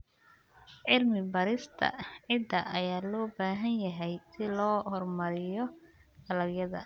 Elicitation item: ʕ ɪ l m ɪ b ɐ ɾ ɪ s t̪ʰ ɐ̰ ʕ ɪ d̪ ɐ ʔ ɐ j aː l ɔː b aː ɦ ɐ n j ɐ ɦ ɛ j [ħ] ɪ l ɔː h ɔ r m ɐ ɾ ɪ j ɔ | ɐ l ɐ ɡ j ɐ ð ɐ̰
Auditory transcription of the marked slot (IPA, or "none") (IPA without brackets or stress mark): s